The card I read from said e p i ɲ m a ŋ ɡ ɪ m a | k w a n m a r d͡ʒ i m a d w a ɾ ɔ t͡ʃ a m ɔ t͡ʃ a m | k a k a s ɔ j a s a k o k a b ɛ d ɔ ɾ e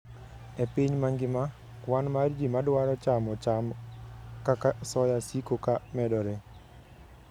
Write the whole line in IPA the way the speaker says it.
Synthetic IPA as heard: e p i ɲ m a ŋ ɡ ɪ m a | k w a n m a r d͡ʒ i m a d w a ɾ ɔ t͡ʃ a m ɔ t͡ʃ a m | k a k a s ɔ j a s i k o k a m ɛ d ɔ ɾ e